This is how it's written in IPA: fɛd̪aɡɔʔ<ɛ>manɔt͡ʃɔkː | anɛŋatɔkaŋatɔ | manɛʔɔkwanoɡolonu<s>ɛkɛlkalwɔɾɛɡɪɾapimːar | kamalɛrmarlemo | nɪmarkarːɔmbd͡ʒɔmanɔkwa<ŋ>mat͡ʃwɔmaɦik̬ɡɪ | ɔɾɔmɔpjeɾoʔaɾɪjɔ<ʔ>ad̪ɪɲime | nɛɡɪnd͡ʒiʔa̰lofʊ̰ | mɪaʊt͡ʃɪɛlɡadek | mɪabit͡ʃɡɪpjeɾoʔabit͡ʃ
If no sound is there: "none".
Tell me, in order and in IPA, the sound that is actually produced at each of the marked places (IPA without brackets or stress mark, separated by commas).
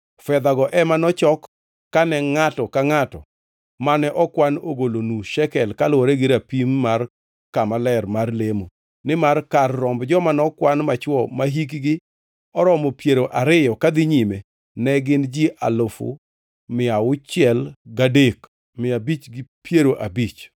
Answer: ɛ, ʃ, n, k